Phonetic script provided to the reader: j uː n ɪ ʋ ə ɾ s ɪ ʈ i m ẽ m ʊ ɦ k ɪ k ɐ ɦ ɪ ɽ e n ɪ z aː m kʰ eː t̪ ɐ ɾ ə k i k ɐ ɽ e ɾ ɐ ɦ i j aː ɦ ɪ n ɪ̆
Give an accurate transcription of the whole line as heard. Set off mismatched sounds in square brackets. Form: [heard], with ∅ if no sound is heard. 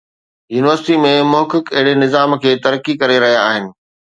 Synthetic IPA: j uː n ɪ ʋ ə ɾ s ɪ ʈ i m ẽ m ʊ ɦ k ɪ k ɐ ɦ ɪ ɽ e n ɪ z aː m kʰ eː t̪ ɐ ɾ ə k i k ɐ [ɾ] e ɾ ɐ ɦ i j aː ɦ ɪ n ɪ̆